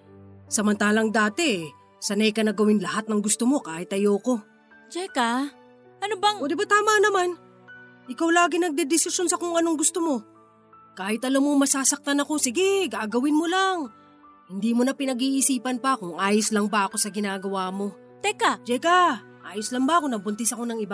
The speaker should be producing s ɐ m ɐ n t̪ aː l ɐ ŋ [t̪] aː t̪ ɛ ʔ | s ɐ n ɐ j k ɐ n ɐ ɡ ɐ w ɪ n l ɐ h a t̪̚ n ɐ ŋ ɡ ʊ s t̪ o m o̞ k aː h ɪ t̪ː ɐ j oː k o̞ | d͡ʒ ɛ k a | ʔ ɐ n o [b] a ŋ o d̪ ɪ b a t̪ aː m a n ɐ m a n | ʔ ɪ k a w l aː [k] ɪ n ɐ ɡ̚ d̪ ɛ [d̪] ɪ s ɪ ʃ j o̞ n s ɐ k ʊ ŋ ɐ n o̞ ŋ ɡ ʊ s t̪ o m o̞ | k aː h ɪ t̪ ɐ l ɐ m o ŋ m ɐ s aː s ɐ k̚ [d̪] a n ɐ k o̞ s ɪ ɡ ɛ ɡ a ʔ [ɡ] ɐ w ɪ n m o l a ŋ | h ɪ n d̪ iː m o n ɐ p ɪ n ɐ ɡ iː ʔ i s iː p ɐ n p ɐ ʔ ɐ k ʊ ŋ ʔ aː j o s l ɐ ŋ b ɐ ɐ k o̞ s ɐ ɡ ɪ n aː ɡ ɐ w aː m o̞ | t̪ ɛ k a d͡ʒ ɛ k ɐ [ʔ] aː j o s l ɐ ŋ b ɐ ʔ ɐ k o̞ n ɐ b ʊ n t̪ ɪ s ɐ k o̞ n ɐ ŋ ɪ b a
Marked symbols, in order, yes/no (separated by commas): no, yes, no, yes, no, yes, yes